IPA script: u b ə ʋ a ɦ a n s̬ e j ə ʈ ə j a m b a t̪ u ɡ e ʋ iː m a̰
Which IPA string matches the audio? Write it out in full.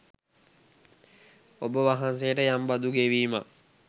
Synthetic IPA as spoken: o b ə ʋ a ɦ a n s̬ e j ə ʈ ə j a m b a d̪ u ɡ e ʋ iː m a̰

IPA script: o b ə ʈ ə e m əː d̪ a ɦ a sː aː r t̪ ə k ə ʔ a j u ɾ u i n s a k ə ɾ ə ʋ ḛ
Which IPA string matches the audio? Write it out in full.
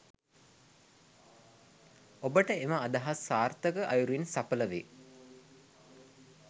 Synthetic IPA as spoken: o b ə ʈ ə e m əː d̪ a ɦ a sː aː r t̪ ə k ə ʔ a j u ɾ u i n s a p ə l ə ʋ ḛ

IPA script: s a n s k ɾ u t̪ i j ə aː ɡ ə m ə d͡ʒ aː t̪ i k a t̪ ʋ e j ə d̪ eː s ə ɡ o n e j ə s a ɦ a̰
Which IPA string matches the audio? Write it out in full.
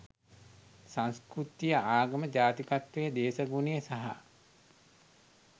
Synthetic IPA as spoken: s a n s k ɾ u t̪ i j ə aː ɡ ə m ə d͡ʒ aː t̪ i k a t̪ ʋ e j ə d̪ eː s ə ɡ u n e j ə s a ɦ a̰

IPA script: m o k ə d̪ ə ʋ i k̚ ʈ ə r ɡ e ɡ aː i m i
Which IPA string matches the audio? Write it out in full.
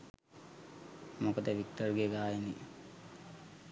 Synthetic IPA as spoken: m o k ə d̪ ə ʋ i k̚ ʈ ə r ɡ e ɡ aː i n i

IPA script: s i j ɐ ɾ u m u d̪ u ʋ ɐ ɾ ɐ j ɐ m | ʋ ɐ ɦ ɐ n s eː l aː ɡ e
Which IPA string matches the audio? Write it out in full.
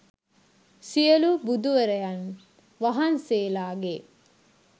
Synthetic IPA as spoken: s i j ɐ l u b u d̪ u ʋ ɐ ɾ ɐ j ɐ n | ʋ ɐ ɦ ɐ n s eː l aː ɡ e

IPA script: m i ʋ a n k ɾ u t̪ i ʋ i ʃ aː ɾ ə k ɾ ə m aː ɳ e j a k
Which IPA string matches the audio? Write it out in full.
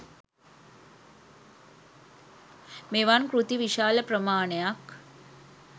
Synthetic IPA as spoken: m e ʋ a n k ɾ u t̪ i ʋ i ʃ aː l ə p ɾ ə m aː ɳ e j a k

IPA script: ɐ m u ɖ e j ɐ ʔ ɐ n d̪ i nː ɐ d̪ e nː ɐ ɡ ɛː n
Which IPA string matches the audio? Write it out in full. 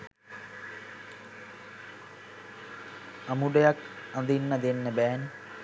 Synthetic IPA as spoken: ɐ m u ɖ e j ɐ k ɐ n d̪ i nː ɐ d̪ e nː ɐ b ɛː n

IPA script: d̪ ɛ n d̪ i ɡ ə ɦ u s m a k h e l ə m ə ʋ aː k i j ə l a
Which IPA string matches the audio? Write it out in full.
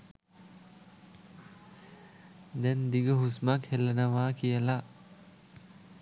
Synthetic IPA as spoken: d̪ ɛ n d̪ i ɡ ə ɦ u s m a k h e l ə n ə ʋ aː k i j ə l a

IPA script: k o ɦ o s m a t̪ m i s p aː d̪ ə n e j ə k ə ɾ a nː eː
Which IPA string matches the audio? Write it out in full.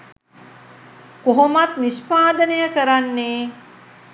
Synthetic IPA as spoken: k o ɦ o m a t̪ n i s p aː d̪ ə n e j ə k ə ɾ a nː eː

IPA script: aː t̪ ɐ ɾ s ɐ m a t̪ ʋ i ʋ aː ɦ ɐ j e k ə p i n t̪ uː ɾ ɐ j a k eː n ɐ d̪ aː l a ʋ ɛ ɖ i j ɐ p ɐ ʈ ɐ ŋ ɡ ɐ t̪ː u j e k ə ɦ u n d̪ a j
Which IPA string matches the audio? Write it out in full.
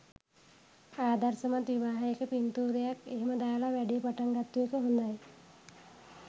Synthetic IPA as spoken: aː d̪ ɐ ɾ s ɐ m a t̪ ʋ i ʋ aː ɦ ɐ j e k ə p i n t̪ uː ɾ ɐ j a k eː m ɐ d̪ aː l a ʋ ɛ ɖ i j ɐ p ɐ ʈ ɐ ŋ ɡ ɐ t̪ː u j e k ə ɦ u n d̪ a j

